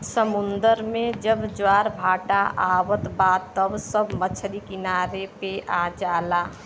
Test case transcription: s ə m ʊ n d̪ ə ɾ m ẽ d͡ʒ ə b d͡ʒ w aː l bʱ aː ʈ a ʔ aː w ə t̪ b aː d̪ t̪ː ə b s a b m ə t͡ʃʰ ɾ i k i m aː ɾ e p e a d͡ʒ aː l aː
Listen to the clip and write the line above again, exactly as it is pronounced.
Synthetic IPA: s ə m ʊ n d̪ ə ɾ m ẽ d͡ʒ ə b d͡ʒ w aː ɾ bʱ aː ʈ a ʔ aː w ə t̪ b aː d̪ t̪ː ə b s ə b m ə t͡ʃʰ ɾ i k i n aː ɾ e p e a d͡ʒ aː l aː